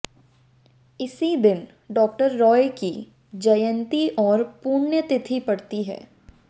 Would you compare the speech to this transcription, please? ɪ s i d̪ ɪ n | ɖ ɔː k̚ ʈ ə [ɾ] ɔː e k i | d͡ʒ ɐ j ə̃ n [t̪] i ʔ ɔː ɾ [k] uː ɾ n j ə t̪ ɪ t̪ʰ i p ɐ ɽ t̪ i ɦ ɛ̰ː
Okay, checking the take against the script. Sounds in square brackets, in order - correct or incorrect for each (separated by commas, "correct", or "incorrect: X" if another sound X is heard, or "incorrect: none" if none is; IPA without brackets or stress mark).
incorrect: ɾː, correct, incorrect: p